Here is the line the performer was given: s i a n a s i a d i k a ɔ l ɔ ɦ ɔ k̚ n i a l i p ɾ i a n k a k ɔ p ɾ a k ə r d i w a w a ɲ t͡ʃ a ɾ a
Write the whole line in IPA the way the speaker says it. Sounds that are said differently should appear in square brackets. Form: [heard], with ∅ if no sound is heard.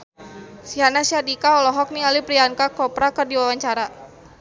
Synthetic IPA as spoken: s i a n a s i a d i k a ɔ l ɔ ɦ ɔ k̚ n i a l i p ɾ i a n k a k ɔ p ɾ a k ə r d i w a w a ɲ t͡ʃ a ɾ a